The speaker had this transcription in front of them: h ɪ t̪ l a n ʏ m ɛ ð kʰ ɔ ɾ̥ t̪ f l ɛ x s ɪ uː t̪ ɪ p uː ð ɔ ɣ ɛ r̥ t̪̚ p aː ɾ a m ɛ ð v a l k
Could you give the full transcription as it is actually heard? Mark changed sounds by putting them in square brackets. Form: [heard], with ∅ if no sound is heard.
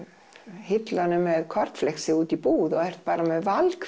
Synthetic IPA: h ɪ t̪ l a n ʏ m ɛ ð kʰ ɔ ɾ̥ t̪ f l ɛ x s ɪ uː t̪ [i] p uː ð ɔ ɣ ɛ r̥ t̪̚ p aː ɾ a m ɛ ð v a l k